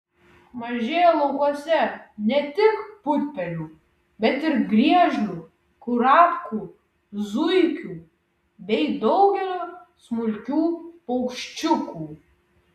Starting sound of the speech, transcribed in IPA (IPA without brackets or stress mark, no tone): m